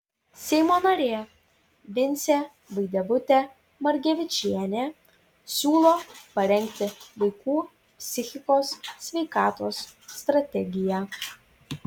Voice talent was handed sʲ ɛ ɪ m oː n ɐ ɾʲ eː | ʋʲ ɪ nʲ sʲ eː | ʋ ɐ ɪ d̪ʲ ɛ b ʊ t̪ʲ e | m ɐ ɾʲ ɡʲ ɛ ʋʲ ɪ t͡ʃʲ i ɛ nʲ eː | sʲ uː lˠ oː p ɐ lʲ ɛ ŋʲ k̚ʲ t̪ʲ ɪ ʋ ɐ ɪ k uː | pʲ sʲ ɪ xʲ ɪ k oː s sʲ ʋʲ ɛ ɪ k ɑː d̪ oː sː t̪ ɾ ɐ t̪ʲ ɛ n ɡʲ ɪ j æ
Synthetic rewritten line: sʲ ɛ ɪ m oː n ɐ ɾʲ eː | ʋʲ ɪ nʲ sʲ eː | ʋ ɐ ɪ d̪ʲ ɛ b ʊ t̪ʲ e | m ɐ ɾʲ ɡʲ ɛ ʋʲ ɪ t͡ʃʲ i ɛ nʲ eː | sʲ uː lˠ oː p ɐ ɾʲ ɛ ŋʲ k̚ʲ t̪ʲ ɪ ʋ ɐ ɪ k uː | pʲ sʲ ɪ xʲ ɪ k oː s sʲ ʋʲ ɛ ɪ k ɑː t̪ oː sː t̪ ɾ ɐ t̪ʲ ɛ ɡʲ ɪ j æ